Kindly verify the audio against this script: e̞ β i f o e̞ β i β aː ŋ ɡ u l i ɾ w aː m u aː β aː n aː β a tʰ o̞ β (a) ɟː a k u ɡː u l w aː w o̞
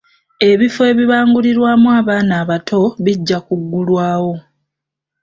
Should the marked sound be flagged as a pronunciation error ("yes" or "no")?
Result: yes